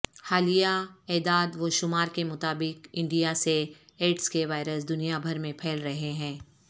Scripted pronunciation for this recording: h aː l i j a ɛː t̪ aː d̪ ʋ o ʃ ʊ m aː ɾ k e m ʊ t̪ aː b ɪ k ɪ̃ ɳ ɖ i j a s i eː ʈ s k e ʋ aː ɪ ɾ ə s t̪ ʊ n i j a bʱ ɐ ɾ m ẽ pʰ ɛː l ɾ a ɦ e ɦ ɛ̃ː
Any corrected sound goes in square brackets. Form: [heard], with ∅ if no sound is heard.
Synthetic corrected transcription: h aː l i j a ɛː [d̪] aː d̪ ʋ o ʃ ʊ m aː ɾ k e m ʊ t̪ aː b ɪ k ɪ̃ ɳ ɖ i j a s [e] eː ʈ s k e ʋ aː ɪ ɾ ə s [d̪] ʊ n i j a bʱ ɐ ɾ m ẽ pʰ ɛː l ɾ [ɐ] ɦ e ɦ ɛ̃ː